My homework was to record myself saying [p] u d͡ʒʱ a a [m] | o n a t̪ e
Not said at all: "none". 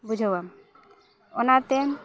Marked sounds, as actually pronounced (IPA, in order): b, m

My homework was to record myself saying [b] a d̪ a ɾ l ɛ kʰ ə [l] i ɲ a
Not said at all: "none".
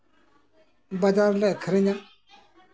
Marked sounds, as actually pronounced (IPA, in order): b, ɾ

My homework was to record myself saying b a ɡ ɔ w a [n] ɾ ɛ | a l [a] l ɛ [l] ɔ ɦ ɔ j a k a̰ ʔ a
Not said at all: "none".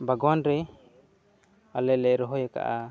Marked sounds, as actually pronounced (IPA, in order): n, ɛ, ɾ

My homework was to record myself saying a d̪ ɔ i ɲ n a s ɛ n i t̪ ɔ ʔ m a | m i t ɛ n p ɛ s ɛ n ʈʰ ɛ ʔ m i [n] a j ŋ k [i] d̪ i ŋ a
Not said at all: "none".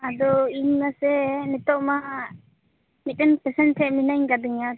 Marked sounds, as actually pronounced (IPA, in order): n, a

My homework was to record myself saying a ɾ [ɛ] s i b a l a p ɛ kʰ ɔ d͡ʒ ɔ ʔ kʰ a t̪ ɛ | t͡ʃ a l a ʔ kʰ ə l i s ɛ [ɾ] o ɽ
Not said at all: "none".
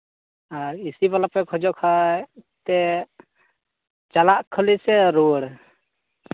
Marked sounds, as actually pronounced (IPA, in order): i, ɾ

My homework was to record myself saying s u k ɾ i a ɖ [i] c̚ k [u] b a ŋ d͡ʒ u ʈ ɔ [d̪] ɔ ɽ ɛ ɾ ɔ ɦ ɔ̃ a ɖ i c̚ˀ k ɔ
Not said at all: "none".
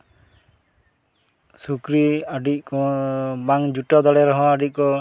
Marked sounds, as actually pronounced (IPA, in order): i, ɔ, d̪

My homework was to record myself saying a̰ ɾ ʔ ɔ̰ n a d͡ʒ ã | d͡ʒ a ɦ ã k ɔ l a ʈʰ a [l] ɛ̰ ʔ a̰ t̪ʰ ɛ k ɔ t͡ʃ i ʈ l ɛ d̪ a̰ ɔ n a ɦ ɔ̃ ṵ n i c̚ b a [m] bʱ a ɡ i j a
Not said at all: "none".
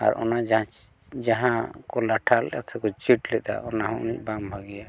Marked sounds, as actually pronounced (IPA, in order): l, m

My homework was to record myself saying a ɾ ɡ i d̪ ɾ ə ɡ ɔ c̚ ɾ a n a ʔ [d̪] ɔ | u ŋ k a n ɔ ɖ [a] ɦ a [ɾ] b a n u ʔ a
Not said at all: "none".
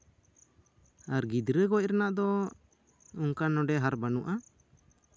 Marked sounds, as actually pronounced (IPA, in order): d̪, ɛ, ɾ

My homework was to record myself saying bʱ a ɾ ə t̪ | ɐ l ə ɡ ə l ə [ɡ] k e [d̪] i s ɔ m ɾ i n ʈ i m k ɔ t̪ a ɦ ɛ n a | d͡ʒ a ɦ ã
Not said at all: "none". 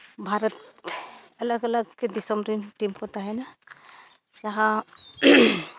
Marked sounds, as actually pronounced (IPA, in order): ɡ, d̪

